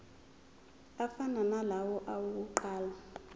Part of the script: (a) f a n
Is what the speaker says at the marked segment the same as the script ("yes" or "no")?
yes